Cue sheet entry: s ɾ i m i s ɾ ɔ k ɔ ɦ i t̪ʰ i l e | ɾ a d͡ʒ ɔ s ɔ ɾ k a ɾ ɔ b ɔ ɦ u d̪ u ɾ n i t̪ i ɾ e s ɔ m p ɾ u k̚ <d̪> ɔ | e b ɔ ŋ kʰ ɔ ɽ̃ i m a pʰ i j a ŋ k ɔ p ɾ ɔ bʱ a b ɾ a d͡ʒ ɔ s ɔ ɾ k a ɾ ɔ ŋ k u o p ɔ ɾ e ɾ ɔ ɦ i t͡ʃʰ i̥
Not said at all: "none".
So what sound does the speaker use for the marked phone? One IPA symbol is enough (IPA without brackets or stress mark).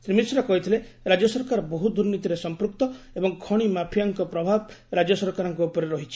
t̪